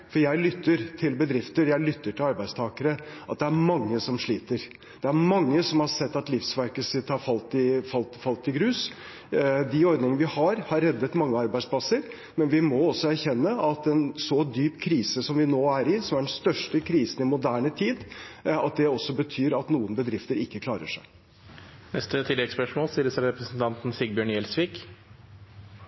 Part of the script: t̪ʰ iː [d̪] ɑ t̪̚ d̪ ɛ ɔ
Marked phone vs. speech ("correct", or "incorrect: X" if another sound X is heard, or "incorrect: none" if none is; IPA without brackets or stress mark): correct